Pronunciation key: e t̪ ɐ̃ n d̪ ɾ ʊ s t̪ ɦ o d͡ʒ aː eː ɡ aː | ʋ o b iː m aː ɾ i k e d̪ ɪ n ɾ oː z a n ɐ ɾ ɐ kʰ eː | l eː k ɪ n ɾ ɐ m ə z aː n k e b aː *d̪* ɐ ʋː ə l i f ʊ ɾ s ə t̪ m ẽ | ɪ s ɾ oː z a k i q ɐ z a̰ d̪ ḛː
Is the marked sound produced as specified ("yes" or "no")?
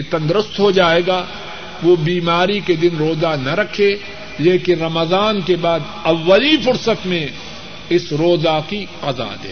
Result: yes